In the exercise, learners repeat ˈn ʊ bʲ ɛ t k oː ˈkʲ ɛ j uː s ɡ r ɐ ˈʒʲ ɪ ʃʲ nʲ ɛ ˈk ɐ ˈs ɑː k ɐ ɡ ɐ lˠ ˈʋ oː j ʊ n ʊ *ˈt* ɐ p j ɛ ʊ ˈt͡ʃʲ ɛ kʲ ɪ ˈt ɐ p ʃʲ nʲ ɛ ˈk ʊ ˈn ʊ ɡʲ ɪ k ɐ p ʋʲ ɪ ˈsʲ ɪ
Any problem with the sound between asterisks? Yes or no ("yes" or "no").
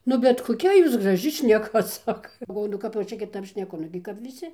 yes